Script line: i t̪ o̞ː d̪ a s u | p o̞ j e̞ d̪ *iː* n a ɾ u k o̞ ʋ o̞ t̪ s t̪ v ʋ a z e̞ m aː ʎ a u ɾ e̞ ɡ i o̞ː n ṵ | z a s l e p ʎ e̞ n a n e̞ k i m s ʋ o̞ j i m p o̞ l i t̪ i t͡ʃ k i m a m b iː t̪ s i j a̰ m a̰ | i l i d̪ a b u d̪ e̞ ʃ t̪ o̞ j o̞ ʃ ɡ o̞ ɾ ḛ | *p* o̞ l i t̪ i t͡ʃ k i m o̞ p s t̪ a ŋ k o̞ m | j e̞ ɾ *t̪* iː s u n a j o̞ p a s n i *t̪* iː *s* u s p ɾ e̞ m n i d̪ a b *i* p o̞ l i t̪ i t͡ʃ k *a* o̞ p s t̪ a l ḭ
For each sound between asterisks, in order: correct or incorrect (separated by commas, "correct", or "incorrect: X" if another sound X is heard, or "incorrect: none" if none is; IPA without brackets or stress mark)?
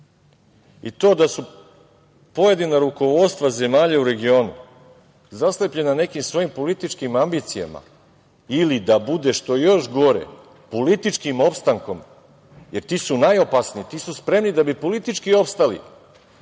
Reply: incorrect: i, correct, correct, correct, correct, correct, incorrect: i